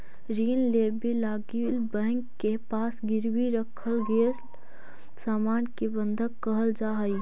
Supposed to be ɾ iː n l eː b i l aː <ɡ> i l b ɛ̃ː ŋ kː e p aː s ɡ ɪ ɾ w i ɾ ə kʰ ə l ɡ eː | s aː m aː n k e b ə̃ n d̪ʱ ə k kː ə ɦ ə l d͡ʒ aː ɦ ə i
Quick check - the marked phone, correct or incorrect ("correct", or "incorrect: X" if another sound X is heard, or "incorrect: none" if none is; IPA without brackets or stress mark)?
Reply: correct